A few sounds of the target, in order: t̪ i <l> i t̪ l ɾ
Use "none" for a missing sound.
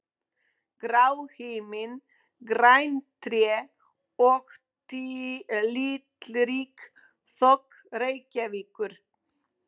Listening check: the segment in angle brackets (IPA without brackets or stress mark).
l